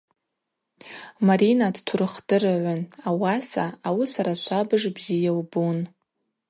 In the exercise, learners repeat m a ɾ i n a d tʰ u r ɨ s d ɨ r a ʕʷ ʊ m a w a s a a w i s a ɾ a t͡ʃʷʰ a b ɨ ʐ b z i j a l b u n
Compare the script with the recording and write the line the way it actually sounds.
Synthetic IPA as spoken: m a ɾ i n a d tʰ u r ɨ χ d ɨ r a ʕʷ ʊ n a w a s a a w i s a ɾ a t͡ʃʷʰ a b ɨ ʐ b z i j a l b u n